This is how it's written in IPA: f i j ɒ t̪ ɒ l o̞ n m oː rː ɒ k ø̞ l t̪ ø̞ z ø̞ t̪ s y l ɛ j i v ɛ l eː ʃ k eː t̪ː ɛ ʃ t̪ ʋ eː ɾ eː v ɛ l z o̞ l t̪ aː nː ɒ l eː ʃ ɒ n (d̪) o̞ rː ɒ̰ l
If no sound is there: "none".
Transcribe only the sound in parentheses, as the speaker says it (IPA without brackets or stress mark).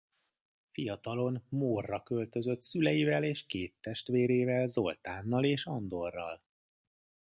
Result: d̪